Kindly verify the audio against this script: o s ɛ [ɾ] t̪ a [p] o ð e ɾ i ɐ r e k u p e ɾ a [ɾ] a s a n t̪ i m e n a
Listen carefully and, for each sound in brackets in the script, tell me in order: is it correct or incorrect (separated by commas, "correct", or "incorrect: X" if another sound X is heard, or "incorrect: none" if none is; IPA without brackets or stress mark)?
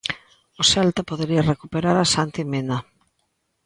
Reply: incorrect: l, correct, correct